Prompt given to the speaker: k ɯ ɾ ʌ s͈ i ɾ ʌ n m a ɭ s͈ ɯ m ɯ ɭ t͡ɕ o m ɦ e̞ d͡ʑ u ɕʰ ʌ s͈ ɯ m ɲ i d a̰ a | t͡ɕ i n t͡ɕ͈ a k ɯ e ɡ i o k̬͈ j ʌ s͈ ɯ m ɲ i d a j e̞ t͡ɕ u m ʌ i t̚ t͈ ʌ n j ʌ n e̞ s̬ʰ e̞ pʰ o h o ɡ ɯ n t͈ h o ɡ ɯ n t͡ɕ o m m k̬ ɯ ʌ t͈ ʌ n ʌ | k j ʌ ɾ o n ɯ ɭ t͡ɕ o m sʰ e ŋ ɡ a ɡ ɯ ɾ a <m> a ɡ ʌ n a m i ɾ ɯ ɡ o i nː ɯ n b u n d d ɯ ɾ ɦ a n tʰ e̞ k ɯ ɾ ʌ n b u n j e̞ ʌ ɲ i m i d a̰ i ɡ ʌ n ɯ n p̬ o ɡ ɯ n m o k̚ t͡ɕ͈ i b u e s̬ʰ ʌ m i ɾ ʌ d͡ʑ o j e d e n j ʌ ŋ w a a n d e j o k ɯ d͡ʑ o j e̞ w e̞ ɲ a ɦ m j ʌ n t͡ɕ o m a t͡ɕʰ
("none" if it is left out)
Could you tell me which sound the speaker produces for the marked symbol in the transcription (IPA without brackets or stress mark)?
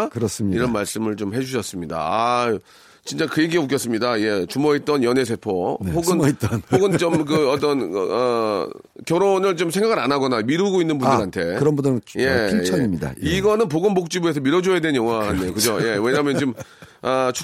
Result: n